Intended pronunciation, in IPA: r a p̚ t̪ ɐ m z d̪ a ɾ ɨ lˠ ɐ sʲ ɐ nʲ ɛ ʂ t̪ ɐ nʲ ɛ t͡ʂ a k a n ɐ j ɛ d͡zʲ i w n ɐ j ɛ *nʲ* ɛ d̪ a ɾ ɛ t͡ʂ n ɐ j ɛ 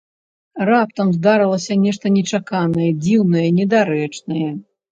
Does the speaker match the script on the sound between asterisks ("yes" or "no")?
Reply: yes